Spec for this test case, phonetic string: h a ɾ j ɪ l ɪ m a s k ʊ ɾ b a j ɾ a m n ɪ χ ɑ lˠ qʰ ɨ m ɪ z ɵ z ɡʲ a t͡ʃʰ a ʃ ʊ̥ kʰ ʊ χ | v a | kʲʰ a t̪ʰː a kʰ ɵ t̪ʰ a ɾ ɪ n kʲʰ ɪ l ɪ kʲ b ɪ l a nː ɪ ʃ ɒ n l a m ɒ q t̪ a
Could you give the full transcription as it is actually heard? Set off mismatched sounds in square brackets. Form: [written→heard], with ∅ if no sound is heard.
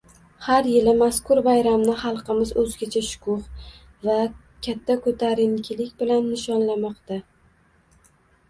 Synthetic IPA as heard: h a ɾ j ɪ l ɪ m a s k ʊ ɾ b a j ɾ a m n ɪ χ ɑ lˠ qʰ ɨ m ɪ z ɵ z ɡʲ a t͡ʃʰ a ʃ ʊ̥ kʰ ʊ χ | v a | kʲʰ a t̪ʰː a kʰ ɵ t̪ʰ a ɾ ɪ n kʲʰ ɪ l ɪ kʲ b ɪ l a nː ɪ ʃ ɒ n l a m ɒ q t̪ a